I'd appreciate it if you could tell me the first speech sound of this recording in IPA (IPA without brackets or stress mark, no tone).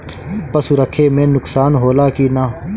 p